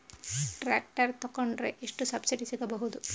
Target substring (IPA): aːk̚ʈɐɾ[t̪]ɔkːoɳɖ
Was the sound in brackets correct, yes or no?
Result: yes